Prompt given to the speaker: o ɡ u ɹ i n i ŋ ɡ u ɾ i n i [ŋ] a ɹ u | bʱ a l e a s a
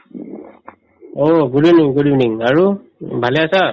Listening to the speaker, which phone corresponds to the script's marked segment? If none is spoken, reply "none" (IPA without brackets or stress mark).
ŋ